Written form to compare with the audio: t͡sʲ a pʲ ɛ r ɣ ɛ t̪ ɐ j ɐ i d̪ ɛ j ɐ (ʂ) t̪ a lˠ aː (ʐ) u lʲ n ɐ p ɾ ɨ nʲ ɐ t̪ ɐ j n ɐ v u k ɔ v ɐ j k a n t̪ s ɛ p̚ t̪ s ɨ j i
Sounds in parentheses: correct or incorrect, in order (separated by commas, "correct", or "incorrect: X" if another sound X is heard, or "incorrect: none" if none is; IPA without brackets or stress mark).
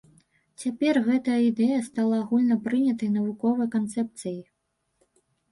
incorrect: s, incorrect: ɣ